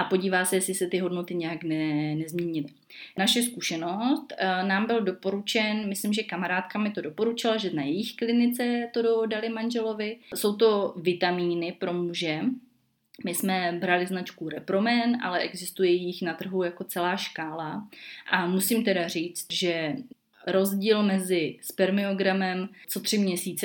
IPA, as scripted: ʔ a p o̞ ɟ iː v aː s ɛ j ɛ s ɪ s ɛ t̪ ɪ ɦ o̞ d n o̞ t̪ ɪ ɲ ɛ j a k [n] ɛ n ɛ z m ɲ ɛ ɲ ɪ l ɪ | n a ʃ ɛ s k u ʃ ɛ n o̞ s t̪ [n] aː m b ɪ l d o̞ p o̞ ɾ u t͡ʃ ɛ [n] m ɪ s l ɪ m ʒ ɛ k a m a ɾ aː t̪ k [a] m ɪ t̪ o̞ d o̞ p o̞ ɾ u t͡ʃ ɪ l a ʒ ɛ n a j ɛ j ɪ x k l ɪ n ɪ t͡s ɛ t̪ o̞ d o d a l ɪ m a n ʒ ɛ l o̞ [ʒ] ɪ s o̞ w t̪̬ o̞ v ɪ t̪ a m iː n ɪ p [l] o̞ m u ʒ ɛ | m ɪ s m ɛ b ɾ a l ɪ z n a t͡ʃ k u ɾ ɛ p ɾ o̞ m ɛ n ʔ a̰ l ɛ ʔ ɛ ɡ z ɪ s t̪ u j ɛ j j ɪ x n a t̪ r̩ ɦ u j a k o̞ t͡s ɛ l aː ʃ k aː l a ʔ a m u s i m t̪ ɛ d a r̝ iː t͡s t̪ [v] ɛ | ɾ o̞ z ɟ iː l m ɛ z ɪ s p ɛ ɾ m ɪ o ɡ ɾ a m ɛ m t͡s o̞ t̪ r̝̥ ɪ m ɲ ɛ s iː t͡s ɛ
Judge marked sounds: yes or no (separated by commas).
yes, yes, yes, yes, no, no, no